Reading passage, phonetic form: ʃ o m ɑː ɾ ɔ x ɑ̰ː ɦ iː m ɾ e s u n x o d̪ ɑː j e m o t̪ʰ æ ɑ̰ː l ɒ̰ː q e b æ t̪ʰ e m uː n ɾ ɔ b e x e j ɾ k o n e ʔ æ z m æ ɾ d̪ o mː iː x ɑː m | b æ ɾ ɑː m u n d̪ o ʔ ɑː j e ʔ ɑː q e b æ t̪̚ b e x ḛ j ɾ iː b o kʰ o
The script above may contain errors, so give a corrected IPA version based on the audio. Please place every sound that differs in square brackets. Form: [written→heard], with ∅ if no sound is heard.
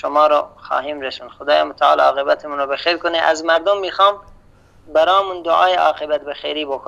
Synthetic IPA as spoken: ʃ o m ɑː ɾ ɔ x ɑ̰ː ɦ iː m ɾ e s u n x o d̪ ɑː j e m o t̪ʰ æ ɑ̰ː l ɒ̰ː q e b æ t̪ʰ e m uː n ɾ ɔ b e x e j ɾ k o n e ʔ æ z m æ ɾ d̪ o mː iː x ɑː m | b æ ɾ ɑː m u n d̪ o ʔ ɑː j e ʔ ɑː q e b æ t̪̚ b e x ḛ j ɾ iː b o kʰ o